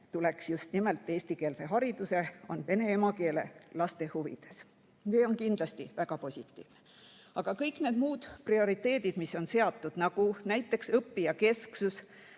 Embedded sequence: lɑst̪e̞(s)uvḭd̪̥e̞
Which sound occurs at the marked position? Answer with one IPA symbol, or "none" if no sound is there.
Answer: h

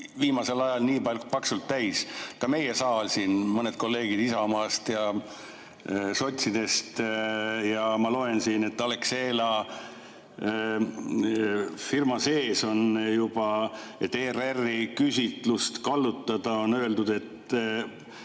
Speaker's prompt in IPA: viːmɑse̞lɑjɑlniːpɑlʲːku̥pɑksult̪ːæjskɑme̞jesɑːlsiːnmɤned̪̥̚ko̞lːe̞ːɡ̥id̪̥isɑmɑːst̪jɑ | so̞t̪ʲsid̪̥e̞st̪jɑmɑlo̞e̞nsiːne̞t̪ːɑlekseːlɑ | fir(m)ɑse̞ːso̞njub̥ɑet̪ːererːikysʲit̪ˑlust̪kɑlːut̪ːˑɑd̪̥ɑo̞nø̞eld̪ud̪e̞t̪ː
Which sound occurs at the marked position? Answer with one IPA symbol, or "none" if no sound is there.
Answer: m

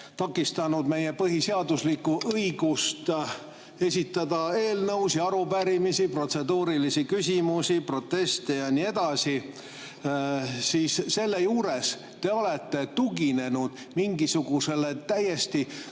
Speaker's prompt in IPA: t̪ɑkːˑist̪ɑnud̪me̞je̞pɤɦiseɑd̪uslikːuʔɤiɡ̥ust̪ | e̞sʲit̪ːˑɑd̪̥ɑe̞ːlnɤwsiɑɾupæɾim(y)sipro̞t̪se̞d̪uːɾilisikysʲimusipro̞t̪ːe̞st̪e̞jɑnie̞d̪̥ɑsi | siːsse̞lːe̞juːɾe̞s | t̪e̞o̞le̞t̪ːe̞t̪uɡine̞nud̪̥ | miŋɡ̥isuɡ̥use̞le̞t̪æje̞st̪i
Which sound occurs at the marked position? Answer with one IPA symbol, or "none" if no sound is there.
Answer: i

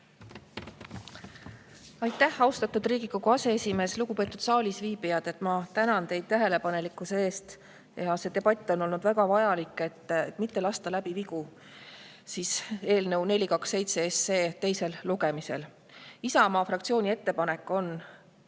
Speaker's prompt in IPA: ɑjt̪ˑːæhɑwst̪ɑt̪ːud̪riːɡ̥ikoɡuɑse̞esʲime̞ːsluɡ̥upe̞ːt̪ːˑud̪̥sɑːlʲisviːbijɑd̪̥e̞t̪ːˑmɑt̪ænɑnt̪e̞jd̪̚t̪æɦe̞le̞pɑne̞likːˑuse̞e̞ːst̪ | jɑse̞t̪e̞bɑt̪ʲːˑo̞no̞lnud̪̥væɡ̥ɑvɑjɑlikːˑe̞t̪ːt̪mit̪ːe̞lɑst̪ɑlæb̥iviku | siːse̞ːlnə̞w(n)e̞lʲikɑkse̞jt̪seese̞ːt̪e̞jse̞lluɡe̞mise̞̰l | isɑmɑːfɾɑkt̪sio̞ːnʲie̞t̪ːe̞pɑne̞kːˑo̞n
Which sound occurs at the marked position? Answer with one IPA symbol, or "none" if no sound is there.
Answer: n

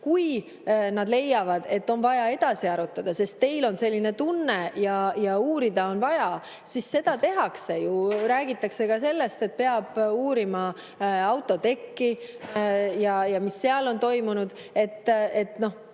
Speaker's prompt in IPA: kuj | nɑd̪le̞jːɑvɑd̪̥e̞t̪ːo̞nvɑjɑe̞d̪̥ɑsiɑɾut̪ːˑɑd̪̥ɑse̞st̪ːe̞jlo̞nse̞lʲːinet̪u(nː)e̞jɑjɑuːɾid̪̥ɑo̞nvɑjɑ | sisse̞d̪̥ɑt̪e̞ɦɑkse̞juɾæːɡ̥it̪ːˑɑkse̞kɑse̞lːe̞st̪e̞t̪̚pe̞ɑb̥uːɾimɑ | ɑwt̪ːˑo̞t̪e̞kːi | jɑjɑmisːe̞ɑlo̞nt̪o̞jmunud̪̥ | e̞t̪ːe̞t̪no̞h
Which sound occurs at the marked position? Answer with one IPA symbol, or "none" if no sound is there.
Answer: nː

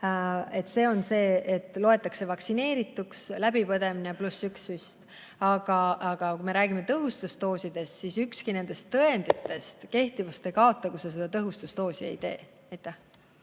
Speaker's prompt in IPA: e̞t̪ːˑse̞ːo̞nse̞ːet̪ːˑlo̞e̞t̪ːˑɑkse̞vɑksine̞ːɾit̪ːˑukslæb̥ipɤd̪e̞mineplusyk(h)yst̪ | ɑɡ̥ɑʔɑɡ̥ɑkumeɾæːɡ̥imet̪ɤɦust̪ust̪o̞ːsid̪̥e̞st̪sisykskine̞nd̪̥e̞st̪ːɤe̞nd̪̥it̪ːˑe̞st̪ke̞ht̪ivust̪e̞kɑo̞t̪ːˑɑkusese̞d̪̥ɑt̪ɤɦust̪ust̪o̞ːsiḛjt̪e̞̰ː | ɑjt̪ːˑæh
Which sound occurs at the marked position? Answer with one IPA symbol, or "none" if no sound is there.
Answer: s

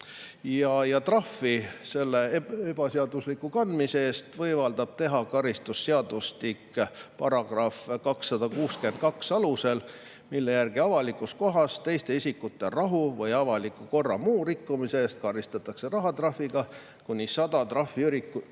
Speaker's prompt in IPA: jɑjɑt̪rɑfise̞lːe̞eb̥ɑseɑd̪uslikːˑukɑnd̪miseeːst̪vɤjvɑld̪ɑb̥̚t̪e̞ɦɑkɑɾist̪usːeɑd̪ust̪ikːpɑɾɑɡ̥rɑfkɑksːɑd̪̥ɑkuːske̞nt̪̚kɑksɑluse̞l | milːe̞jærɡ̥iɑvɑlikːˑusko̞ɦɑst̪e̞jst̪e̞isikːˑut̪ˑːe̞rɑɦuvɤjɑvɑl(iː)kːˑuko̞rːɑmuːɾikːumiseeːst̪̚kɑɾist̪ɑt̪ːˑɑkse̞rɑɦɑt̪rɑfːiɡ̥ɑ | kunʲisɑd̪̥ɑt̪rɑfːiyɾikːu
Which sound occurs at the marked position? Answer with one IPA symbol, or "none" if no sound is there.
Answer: i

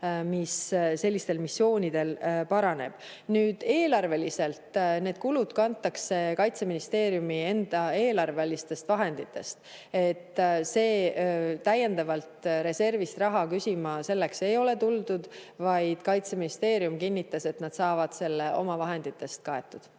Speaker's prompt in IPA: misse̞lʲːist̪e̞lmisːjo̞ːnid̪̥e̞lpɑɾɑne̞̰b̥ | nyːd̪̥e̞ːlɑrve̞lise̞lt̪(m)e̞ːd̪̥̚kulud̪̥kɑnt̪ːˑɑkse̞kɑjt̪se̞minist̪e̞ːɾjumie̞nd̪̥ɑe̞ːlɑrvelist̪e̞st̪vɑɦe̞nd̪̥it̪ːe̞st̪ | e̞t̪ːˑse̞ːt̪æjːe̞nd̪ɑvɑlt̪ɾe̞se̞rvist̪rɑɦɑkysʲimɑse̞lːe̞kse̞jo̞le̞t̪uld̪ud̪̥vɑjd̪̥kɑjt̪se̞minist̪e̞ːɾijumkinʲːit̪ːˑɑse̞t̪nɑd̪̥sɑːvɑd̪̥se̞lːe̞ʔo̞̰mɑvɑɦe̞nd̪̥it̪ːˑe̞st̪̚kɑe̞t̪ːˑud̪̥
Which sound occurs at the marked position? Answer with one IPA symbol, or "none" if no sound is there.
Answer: n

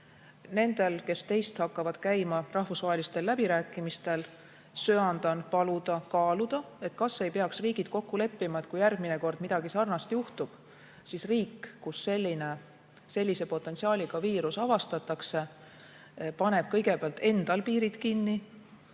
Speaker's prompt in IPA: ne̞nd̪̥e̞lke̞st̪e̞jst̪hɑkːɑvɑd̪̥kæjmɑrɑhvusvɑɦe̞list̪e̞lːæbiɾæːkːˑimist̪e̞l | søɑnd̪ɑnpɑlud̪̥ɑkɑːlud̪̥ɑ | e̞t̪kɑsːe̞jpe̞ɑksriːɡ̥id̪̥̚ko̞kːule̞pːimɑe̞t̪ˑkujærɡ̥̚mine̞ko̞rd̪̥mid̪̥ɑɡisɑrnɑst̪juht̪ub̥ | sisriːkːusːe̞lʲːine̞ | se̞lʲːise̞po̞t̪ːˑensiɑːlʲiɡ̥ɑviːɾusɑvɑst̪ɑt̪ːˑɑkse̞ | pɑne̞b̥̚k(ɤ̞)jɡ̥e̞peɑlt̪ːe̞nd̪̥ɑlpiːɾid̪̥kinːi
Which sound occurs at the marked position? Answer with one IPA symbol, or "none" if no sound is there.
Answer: ɤ̞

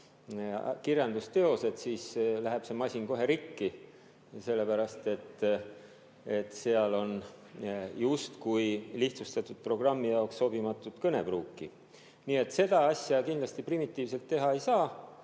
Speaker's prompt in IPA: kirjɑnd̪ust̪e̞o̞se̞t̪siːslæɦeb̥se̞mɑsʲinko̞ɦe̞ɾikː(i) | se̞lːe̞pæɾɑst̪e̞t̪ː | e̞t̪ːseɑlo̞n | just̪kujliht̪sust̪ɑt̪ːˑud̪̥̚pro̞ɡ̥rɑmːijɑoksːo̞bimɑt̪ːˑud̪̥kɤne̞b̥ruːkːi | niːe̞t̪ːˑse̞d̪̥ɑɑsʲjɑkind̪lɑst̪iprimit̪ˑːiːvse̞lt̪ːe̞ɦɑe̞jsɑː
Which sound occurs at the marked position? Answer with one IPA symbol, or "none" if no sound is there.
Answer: i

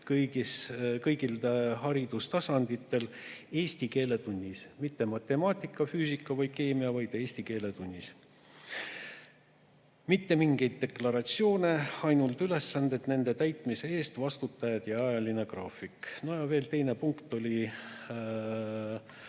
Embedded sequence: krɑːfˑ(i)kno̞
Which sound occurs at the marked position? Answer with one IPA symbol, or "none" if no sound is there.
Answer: i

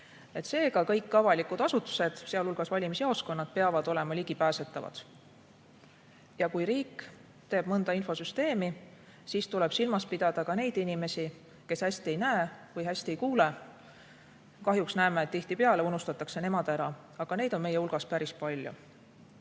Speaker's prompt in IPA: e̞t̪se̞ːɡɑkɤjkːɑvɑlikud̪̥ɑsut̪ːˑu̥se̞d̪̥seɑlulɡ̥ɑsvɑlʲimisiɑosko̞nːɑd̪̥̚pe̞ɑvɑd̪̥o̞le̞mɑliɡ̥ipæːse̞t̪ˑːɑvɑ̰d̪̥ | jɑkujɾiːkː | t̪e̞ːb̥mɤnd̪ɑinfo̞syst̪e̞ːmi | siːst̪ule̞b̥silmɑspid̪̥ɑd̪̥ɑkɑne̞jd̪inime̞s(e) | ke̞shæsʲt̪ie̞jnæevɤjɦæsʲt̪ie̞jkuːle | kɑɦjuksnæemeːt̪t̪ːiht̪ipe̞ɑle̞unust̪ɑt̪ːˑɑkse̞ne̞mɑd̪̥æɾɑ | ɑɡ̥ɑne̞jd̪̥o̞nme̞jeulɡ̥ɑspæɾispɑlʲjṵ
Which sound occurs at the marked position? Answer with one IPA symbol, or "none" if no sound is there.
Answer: i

